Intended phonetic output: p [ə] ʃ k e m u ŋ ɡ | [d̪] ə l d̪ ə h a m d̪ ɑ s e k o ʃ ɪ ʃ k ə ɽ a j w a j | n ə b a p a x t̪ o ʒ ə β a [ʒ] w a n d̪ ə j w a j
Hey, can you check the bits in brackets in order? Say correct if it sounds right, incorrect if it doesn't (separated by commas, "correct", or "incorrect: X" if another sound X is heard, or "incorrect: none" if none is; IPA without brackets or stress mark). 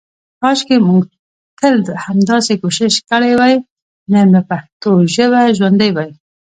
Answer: incorrect: ɑ, incorrect: t̪, correct